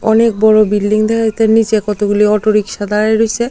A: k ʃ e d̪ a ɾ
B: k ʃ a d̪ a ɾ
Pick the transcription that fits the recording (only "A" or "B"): B